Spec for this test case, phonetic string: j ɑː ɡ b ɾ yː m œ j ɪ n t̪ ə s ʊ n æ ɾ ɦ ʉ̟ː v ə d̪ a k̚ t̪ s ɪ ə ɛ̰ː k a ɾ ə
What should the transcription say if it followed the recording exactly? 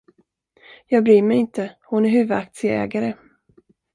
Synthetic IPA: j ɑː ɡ b ɾ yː m ɛ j ɪ n t̪ ə h ʊ n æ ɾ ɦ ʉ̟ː v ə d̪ a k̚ t̪ s ɪ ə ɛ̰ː ɡ a ɾ ə